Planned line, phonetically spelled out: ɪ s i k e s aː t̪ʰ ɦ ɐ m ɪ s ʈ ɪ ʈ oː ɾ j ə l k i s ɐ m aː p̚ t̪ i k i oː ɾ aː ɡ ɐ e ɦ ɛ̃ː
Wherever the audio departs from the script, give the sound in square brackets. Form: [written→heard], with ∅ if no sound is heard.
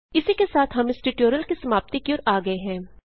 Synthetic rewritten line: ɪ s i k e s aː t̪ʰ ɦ ɐ m ɪ s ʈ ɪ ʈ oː ɾ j ə l k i s ɐ m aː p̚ t̪ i k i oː ɾ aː ɡ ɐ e ɦ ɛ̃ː

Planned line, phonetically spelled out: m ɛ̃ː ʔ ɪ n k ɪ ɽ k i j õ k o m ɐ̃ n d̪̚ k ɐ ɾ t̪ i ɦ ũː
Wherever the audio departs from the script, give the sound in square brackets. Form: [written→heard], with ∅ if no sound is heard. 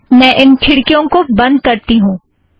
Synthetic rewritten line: m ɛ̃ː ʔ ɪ n [k→kʰ] ɪ ɽ k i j õ k o [m→b] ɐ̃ n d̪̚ k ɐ ɾ t̪ i ɦ ũː

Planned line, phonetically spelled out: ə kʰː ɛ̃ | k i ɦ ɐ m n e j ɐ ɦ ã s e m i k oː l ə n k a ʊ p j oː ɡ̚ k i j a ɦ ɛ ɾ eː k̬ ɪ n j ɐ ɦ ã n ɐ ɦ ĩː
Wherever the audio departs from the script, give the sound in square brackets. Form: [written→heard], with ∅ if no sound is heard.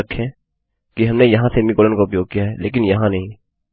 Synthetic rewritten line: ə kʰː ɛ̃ | k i ɦ ɐ m n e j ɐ ɦ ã s e m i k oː l ə n k a ʊ p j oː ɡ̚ k i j a ɦ ɛ [ɾ→l] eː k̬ ɪ n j ɐ ɦ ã n ɐ ɦ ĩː

